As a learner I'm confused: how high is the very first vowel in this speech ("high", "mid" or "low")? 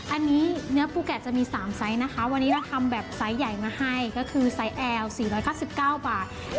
low